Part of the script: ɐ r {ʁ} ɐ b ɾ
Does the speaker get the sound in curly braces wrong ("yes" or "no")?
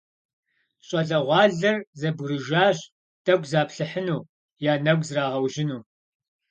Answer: yes